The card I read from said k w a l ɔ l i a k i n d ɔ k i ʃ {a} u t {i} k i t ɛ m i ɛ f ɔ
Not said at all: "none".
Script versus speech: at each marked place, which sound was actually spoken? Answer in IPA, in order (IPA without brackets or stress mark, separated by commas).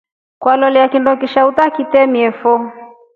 a, a